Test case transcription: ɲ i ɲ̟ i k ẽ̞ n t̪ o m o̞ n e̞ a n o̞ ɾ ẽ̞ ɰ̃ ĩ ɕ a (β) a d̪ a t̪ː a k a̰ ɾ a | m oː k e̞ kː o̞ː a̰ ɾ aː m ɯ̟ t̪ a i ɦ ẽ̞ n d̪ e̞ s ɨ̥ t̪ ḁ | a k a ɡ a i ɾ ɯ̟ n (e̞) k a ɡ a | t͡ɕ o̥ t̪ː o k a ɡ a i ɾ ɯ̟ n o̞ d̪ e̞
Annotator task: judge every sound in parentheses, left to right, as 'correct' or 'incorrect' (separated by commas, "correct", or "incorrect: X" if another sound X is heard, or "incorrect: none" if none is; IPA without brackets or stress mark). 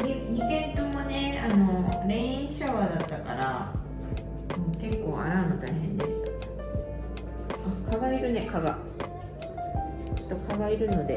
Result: correct, correct